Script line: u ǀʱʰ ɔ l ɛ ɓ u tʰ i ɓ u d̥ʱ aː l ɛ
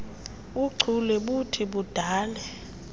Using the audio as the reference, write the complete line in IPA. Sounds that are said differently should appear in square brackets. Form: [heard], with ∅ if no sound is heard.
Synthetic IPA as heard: u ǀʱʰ [u] l ɛ ɓ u tʰ i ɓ u d̥ʱ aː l ɛ